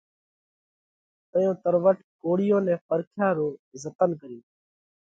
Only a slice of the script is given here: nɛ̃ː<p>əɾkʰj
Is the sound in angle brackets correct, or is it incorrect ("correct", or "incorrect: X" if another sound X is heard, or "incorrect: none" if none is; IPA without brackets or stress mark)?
correct